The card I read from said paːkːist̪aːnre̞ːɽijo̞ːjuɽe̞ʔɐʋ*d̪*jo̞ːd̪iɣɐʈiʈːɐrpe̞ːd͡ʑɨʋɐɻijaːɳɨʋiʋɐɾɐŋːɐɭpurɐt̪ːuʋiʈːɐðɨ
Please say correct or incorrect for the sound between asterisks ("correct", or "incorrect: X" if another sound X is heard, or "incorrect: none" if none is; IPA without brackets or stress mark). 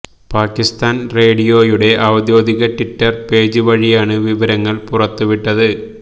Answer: correct